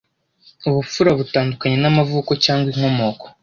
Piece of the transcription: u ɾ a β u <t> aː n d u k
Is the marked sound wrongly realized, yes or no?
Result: no